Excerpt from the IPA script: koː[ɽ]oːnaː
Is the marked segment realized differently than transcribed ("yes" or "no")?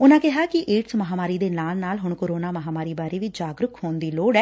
yes